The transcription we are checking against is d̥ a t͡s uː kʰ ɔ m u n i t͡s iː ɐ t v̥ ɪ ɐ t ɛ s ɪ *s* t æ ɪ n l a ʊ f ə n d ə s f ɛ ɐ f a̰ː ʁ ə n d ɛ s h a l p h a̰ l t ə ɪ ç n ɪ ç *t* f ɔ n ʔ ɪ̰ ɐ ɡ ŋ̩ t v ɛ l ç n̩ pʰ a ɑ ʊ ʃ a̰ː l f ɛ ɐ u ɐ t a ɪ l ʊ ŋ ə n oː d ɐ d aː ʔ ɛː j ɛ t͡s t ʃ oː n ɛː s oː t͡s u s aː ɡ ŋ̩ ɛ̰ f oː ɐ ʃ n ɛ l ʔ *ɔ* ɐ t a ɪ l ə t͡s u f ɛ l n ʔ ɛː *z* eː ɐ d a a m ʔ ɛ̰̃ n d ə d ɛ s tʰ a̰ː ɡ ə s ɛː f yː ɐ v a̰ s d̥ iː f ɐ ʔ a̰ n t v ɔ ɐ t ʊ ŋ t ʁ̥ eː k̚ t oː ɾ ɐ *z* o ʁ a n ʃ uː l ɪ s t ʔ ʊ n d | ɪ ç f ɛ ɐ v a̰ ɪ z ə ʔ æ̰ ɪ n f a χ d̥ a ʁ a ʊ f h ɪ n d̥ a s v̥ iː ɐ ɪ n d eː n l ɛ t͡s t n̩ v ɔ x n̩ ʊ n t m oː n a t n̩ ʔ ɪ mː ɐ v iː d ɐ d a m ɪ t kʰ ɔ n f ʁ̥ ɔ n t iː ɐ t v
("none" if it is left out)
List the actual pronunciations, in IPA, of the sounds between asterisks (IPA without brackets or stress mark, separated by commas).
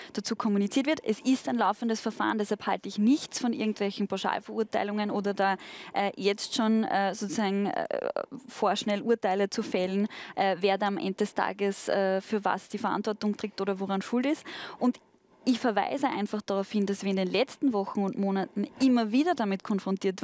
s, t͡s, u, v, v